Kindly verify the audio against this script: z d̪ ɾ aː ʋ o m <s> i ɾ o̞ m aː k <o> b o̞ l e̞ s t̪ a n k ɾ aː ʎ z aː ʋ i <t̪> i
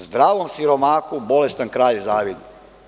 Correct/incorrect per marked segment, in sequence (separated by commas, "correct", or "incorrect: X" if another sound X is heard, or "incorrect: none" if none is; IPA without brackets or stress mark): correct, incorrect: u, incorrect: d̪